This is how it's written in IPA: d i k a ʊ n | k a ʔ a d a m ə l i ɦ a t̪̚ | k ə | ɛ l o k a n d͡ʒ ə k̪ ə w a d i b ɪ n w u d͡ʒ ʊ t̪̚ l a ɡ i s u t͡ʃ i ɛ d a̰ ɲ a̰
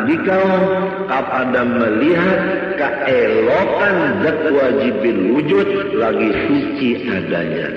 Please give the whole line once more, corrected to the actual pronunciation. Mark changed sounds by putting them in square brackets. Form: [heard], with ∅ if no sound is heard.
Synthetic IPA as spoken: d i k a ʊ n | k a [p] a d a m ə l i ɦ a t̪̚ | k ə | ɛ l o k a n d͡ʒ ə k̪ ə w a [d͡ʒ] i b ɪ n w u d͡ʒ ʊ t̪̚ l a ɡ i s u t͡ʃ i [a] d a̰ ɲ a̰